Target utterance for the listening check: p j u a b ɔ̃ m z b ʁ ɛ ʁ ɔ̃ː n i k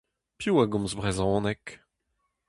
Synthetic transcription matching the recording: p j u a ɡ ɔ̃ m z b ʁ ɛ z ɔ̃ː n ɛ k